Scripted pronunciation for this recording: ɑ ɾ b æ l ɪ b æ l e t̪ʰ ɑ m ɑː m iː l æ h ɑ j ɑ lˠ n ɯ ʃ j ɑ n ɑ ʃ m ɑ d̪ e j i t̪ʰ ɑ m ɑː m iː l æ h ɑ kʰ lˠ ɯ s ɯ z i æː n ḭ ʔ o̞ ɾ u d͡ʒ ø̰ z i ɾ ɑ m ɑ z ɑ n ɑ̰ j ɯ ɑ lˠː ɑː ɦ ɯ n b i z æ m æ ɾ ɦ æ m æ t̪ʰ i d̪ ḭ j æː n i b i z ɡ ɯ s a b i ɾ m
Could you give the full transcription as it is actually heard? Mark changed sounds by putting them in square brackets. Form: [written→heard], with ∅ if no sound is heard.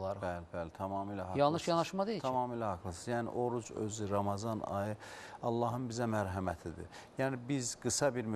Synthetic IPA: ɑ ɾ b æ l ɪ b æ l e t̪ʰ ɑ m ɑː m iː l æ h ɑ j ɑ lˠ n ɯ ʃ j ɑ n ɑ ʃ m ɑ d̪ e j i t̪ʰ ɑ m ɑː m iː l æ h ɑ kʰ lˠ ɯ s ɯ z [i→j] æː n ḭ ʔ o̞ ɾ u d͡ʒ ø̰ z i ɾ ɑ m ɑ z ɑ n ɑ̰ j ɯ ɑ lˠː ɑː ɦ ɯ n b i z æ m æ ɾ ɦ æ m æ t̪ʰ i d̪ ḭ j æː n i b i z ɡ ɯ s [a→ɑ] b i ɾ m